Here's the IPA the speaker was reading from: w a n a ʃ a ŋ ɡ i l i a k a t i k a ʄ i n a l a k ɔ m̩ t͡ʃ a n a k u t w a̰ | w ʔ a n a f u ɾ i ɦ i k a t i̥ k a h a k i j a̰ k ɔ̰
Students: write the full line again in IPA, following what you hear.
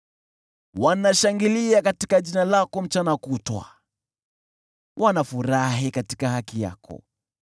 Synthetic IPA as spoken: w a n a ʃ a ŋ ɡ i l i a k a t i k a ʄ i n a l a k ɔ m̩ t͡ʃ a n a k u t w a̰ | w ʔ a n a f u ɾ a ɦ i k a t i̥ k a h a k i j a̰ k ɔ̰